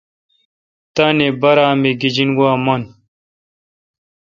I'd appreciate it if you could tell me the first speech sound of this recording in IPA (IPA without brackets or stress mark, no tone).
t̪